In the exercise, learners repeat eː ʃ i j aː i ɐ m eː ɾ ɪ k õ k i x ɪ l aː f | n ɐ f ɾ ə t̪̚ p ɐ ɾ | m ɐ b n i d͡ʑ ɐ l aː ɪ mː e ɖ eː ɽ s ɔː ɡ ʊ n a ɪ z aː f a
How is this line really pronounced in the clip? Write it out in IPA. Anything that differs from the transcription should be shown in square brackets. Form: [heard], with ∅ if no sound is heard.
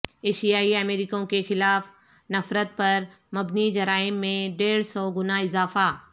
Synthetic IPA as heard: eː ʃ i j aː i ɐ m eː ɾ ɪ k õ k [e] x ɪ l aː f | n ɐ f ɾ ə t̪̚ p ɐ ɾ | m ɐ b n i d͡ʑ ɐ [ɾ] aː ɪ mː [ẽ] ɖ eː ɽ s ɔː ɡ ʊ n a ɪ z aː f a